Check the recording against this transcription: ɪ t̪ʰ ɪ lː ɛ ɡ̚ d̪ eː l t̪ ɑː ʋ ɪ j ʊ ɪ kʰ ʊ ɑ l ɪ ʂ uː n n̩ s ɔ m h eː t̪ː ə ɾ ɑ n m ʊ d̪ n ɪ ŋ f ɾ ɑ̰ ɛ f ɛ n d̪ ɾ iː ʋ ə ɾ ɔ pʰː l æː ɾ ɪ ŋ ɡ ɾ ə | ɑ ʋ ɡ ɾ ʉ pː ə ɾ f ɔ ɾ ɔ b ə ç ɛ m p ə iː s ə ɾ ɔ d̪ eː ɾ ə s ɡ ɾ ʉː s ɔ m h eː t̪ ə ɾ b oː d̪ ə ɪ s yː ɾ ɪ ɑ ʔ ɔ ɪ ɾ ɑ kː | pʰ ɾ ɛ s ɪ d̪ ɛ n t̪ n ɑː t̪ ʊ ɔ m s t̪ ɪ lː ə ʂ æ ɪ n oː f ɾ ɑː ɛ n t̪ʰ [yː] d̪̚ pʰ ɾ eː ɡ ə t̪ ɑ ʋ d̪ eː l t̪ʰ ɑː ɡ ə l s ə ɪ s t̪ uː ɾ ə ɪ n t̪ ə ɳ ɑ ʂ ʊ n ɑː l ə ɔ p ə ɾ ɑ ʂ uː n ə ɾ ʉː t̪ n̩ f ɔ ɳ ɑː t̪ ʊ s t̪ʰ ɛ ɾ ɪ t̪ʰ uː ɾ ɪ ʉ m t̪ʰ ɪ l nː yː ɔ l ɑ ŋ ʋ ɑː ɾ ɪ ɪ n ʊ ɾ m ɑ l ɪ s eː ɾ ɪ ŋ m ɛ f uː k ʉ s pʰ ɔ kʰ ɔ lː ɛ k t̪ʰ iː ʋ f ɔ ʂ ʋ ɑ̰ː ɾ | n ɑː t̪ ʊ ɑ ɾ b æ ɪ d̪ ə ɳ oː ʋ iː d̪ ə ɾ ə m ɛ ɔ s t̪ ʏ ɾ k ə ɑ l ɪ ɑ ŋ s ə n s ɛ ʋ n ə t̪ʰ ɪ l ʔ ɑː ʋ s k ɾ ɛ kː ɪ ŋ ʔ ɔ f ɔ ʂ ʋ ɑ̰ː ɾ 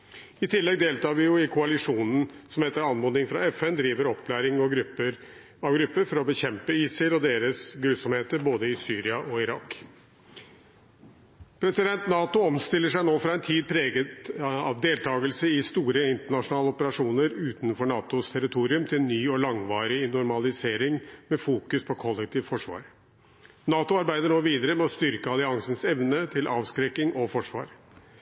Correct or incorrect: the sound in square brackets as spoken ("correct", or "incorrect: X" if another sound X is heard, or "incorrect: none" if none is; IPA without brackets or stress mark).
incorrect: iː